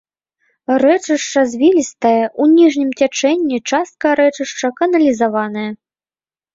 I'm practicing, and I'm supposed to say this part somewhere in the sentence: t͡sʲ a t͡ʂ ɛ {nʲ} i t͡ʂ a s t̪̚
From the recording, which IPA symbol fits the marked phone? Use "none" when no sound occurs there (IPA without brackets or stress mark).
nʲː